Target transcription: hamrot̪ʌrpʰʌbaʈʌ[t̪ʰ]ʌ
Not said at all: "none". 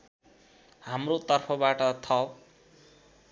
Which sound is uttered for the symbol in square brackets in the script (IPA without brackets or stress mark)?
t̪ʰ